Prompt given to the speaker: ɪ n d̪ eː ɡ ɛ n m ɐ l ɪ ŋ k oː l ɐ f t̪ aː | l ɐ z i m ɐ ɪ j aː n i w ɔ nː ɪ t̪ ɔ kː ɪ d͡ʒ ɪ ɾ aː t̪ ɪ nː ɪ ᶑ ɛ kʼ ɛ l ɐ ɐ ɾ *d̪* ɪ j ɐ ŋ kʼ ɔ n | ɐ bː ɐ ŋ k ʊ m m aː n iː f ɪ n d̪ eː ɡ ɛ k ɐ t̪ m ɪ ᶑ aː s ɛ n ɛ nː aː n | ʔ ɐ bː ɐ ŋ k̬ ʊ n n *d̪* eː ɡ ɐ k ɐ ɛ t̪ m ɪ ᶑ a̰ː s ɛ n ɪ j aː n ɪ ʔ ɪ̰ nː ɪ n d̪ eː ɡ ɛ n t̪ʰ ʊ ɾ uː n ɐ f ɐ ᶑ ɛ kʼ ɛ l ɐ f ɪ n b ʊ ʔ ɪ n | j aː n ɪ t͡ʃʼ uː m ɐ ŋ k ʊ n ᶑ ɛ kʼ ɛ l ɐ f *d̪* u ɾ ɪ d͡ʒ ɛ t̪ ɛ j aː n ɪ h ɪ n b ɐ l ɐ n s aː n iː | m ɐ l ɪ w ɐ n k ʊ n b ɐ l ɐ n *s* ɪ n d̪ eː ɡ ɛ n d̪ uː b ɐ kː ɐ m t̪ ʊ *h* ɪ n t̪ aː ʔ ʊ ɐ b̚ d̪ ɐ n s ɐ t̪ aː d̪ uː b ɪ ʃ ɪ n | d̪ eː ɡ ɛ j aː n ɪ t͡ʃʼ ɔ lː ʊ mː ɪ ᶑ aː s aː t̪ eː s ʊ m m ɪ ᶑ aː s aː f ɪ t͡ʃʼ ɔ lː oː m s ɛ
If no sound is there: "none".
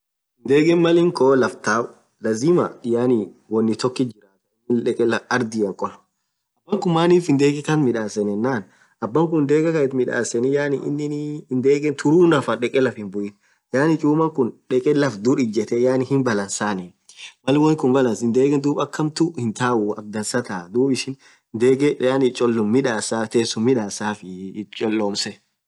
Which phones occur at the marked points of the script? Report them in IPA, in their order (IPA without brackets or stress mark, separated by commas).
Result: d̪, d̪, d̪, s, h